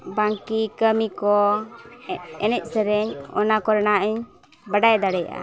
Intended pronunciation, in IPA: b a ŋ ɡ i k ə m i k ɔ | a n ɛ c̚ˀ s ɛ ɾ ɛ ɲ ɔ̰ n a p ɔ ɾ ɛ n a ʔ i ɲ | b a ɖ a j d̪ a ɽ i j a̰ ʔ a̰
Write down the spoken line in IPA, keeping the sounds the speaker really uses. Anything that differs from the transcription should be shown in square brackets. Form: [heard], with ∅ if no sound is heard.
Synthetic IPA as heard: b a ŋ [k] i k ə m i k ɔ | [ɛ] n ɛ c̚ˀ s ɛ ɾ ɛ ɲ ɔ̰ n a [k] ɔ ɾ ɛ n a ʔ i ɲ | b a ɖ a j d̪ a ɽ [ɛ] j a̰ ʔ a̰